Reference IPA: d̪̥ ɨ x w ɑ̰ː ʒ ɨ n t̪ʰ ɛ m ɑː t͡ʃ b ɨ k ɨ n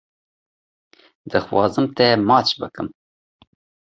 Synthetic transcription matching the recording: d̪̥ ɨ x w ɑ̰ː z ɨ m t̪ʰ ɛ m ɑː t͡ʃ b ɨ k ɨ m